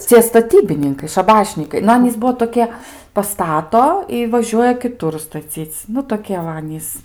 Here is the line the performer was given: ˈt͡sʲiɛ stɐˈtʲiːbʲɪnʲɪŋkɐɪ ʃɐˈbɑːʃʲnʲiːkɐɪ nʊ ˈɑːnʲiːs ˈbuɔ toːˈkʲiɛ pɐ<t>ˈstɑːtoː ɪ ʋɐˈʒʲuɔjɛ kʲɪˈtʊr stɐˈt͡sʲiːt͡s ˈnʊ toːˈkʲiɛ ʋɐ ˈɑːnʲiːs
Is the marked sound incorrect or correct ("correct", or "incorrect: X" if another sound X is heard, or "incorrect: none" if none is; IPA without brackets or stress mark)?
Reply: incorrect: none